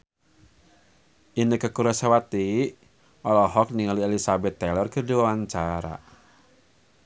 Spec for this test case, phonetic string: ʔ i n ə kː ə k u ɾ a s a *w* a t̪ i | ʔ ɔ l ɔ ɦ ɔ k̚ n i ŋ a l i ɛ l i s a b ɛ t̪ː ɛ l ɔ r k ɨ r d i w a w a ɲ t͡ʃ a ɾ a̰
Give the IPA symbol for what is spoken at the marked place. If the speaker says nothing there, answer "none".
w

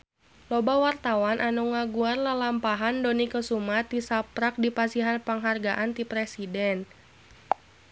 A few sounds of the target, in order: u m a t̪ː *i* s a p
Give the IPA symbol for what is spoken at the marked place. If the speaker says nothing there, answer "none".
i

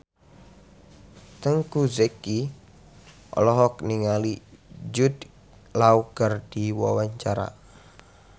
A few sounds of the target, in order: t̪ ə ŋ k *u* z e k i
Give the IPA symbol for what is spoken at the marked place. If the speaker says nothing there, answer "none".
u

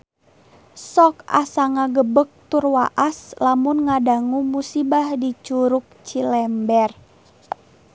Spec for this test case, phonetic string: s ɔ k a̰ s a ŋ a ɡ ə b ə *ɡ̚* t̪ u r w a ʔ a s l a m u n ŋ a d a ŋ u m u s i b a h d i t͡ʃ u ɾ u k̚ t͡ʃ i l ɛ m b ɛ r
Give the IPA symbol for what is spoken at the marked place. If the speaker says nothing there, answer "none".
k̚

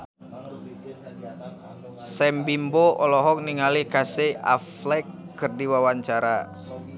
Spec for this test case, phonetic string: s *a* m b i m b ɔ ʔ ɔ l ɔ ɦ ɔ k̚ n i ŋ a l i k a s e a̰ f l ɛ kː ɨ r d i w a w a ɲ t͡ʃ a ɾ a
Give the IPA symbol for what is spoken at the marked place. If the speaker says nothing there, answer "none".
ɛ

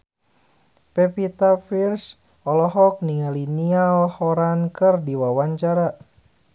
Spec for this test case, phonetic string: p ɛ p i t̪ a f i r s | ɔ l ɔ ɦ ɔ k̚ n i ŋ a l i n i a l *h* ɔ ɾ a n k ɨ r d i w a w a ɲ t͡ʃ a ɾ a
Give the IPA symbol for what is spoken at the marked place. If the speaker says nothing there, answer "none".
h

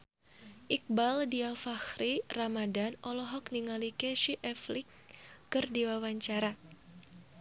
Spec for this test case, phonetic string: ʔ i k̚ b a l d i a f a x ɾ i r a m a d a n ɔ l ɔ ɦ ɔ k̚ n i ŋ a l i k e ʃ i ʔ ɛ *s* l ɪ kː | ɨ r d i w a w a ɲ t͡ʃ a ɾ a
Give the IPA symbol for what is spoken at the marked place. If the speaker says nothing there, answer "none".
f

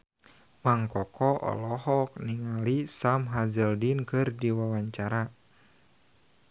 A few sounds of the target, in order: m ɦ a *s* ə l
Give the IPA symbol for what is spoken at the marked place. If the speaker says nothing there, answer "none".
z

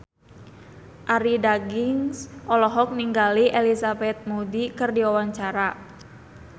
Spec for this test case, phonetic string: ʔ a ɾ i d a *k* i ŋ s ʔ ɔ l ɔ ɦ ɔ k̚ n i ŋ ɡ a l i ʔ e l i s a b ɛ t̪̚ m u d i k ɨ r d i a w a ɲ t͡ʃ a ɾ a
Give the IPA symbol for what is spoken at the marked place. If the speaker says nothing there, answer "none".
ɡ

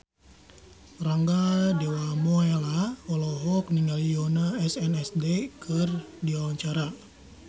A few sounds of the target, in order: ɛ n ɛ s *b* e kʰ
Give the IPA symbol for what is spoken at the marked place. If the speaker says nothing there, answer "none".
d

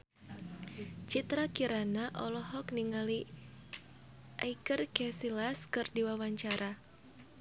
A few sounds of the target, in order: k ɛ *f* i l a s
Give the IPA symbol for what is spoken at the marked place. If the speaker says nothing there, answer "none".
s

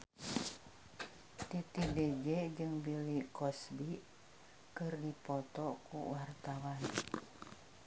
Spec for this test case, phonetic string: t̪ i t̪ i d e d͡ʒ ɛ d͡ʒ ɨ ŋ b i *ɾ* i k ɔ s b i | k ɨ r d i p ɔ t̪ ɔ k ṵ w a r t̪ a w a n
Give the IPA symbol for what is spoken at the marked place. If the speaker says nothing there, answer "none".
l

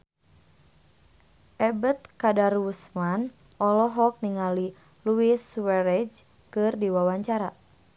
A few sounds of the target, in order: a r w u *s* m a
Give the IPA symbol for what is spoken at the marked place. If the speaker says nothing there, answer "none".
s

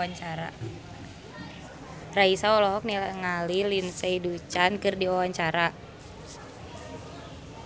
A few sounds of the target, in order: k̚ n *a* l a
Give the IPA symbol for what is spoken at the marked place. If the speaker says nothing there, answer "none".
i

